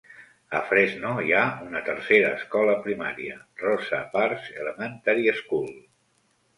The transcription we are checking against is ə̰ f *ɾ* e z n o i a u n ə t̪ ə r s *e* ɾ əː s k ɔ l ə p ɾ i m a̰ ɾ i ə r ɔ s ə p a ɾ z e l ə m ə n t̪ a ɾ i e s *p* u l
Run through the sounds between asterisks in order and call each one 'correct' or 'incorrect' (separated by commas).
correct, correct, incorrect